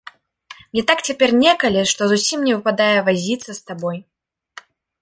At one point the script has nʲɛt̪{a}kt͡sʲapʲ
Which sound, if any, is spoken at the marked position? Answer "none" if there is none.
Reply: a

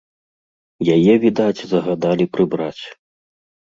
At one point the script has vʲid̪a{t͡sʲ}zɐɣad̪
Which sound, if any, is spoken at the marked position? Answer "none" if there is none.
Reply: t͡sʲ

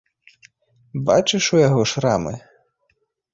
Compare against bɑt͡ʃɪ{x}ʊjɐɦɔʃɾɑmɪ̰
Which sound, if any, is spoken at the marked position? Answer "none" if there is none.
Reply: ʃ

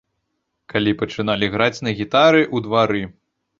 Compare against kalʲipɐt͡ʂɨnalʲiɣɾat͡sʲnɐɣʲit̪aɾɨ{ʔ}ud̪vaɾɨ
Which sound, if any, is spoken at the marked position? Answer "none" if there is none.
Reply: ʔ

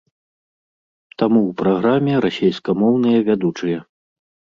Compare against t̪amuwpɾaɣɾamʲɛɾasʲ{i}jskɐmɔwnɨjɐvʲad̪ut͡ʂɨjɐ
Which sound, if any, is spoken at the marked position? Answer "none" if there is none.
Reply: e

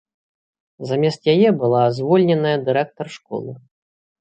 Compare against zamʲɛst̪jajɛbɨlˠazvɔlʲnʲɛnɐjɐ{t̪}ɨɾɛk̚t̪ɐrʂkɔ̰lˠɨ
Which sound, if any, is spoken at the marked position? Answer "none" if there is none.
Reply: d̪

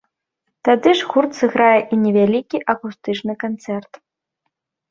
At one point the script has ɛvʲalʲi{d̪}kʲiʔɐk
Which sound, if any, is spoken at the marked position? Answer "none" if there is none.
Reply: none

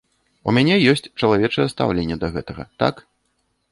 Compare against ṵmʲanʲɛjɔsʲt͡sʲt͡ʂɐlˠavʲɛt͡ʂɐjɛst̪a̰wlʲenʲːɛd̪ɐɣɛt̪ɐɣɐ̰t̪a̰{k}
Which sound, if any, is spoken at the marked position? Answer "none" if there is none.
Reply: k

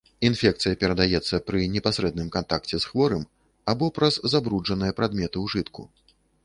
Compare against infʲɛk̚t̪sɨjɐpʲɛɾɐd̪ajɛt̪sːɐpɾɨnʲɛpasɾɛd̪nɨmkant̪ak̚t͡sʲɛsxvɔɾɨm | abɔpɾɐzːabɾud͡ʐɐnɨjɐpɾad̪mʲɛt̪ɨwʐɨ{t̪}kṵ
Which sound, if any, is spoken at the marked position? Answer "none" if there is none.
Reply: t̪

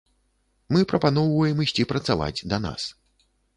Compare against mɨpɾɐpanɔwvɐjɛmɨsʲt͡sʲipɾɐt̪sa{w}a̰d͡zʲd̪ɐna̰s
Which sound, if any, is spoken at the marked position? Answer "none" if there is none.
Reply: v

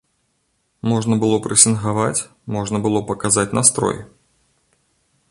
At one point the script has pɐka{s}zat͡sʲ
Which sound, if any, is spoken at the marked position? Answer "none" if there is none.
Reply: none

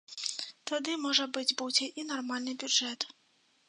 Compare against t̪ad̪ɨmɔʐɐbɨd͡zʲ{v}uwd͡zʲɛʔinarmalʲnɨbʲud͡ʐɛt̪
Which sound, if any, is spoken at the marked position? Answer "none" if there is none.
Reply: b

